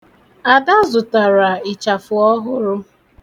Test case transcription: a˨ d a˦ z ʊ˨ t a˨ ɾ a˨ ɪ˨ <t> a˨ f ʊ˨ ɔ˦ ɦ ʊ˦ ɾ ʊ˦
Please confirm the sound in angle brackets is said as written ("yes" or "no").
no